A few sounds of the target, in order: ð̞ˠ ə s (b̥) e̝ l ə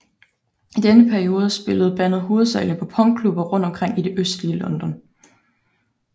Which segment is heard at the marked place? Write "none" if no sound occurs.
b̥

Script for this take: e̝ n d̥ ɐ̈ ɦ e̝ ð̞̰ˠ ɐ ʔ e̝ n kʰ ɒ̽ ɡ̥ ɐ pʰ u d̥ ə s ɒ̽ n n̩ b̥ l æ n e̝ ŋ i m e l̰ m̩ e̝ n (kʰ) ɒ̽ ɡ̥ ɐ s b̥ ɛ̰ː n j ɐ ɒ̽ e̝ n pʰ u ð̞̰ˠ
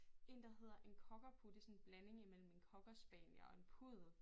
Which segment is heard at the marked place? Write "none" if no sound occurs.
kʰ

